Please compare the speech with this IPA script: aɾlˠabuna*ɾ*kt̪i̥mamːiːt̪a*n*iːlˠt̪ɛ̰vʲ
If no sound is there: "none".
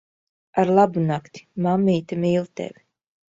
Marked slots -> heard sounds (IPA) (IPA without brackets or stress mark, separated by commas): none, m